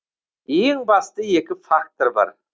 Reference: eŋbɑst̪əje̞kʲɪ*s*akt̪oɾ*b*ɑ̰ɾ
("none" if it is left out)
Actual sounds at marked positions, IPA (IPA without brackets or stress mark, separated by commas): f, b